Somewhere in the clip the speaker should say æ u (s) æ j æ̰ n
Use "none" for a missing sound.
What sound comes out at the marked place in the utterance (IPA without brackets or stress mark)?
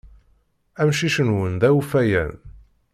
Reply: f